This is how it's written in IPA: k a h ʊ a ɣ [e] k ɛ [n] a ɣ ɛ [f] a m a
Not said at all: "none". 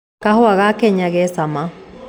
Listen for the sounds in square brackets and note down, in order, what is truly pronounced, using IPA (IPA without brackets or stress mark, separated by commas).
a, ɲ, s